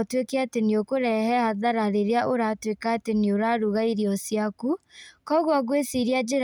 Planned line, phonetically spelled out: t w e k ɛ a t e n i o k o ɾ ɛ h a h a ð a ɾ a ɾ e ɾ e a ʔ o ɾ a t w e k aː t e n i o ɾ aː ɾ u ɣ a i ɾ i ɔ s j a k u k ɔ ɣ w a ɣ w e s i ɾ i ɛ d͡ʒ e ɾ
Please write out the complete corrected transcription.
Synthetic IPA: t w e k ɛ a t e n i o k o ɾ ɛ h ɛ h a ð a ɾ a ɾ e ɾ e a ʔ o ɾ a t w e k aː t e n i o ɾ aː ɾ u ɣ a i ɾ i ɔ s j a k u k ɔ ɣ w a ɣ w e s i ɾ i a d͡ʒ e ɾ